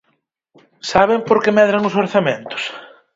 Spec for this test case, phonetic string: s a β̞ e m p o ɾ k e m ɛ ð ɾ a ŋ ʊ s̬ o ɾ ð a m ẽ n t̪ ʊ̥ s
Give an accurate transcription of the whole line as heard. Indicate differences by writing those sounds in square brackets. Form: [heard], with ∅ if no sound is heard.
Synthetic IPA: s a β̞ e m p o ɾ k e m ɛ ð ɾ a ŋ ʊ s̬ o ɾ [θ] a m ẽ n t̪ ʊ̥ s

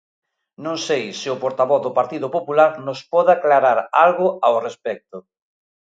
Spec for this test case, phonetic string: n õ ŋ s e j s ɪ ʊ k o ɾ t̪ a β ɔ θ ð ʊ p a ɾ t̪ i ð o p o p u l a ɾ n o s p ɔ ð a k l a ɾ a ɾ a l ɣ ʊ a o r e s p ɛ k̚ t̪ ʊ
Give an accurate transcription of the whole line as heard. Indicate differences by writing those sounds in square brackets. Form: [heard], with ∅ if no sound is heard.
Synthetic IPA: n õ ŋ s e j s ɪ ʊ [p] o ɾ t̪ a β ɔ θ ð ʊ p a ɾ t̪ i ð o p o p u l a ɾ n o s p ɔ ð a k l a ɾ a ɾ a l ɣ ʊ a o r e s p ɛ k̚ t̪ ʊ

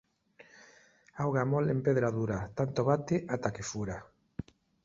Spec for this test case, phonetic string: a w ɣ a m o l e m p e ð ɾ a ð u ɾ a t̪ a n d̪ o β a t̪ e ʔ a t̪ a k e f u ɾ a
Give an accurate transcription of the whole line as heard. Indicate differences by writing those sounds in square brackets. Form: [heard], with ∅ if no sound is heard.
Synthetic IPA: a w ɣ a m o l e m p e ð ɾ a ð u ɾ a t̪ a n [t̪] o β a t̪ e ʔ a t̪ a k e f u ɾ a

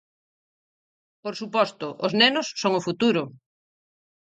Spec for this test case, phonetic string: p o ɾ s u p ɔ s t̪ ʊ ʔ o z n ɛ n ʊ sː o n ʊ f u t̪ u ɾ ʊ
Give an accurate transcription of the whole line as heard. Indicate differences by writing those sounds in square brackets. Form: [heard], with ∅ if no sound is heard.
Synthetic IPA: p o ɾ s u p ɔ s t̪ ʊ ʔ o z n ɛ n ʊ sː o [ŋ] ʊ f u t̪ u ɾ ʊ

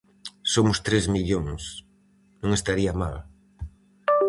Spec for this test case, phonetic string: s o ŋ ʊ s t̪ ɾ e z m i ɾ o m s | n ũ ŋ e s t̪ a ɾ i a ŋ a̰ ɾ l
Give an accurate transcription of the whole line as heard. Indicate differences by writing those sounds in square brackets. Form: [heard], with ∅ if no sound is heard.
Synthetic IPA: s o [m] ʊ s t̪ ɾ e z m i [ʎ] o [ŋ] s | n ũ ŋ e s t̪ a ɾ i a [m] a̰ [∅] l

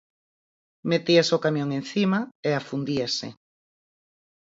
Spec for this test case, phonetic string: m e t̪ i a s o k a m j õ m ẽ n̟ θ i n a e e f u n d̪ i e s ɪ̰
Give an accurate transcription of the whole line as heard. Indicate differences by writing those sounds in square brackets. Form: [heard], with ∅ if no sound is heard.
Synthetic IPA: m e t̪ i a s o k a m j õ [ŋ] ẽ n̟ θ i [m] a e [a] f u n d̪ i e s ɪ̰

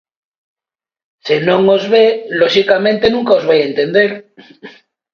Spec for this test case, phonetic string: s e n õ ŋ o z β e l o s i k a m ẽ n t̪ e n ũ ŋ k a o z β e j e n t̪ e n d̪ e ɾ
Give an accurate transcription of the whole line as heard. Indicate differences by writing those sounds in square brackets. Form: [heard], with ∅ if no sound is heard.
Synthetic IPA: s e n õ ŋ o z β e l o [ʃ] i k a m ẽ n t̪ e n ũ ŋ k a o z β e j e n t̪ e n d̪ e ɾ

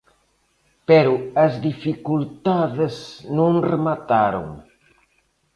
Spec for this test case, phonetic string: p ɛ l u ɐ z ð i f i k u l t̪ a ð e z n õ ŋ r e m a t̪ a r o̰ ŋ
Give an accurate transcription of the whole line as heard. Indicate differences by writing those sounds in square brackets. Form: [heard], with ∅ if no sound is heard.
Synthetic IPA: p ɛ [ɾ] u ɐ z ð i f i k u l t̪ a ð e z n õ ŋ r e m a t̪ a [ɾ] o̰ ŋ

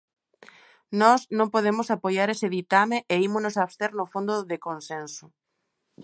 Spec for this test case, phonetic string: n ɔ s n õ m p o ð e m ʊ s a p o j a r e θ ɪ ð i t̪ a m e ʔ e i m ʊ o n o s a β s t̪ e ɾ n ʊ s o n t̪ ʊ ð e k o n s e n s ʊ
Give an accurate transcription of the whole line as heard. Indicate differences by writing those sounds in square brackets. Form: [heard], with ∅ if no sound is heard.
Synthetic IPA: n ɔ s n õ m p o ð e m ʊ s a p o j a [ɾ] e [s] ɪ ð i t̪ a m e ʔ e i m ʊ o n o s a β s t̪ e ɾ n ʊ [f] o n [d̪] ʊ ð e k o n s e n s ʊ

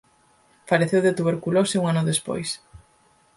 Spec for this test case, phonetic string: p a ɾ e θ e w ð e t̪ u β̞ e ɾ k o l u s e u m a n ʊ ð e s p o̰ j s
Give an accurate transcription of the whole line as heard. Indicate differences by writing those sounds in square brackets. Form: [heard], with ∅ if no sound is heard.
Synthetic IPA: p a ɾ e θ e w ð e t̪ u β̞ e ɾ k [u] l [o] s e u [ŋ] a n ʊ ð e s p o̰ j s

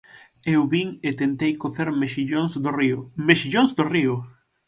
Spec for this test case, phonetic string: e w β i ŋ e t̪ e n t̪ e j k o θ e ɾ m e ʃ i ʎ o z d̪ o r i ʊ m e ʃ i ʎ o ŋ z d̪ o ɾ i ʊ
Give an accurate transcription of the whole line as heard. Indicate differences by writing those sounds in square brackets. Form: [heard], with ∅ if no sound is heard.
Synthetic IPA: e w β i ŋ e t̪ e n t̪ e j k o θ e ɾ m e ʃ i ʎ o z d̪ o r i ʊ m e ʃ i ʎ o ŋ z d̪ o [r] i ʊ

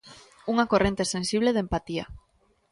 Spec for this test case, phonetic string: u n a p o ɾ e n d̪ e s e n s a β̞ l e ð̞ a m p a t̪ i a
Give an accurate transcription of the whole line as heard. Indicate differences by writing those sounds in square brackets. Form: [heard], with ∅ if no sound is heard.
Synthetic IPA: u [ŋ] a [k] o [r] e n [t̪] e s e n s [i] β̞ l e ð̞ [e] m p a t̪ i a

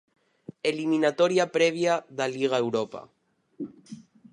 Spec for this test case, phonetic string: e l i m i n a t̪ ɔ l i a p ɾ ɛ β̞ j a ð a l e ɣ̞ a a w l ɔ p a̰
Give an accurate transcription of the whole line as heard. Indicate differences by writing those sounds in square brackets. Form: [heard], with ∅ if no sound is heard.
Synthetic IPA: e l i m i n a t̪ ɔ [ɾ] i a p ɾ ɛ β̞ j a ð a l [i] ɣ̞ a [e] w [ɾ] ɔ p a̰

